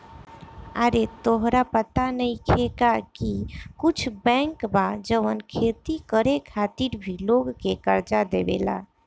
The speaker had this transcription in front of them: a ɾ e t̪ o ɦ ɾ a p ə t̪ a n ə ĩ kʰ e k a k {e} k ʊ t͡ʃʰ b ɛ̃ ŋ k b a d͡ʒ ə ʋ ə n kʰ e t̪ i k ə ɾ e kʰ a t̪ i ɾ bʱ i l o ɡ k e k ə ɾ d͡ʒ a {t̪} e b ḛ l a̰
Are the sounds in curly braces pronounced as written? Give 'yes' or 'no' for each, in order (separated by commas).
no, no